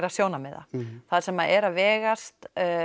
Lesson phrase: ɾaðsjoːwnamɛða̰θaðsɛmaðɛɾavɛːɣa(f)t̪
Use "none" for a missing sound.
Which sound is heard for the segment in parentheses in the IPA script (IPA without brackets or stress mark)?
s